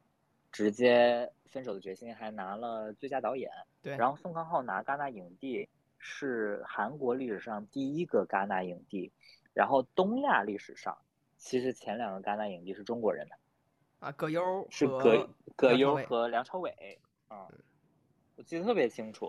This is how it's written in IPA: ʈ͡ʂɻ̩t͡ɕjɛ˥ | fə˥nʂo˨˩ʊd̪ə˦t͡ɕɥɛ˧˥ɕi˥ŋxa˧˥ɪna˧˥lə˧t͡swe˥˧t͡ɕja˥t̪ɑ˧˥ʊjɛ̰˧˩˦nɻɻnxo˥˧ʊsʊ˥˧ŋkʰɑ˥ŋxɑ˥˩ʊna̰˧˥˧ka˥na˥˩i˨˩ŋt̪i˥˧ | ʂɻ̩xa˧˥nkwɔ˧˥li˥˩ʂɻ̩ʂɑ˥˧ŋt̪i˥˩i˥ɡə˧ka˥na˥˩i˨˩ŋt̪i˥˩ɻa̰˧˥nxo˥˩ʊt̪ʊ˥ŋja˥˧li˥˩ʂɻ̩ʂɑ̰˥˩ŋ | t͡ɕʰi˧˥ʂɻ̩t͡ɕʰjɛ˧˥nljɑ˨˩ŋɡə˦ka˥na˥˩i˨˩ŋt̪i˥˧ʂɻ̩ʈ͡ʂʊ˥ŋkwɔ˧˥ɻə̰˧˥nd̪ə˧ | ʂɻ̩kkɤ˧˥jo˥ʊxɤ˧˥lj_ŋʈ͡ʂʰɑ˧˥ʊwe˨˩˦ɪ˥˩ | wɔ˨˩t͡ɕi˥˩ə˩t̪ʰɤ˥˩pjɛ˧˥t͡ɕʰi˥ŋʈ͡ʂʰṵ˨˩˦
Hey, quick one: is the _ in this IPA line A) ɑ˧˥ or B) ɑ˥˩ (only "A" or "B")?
A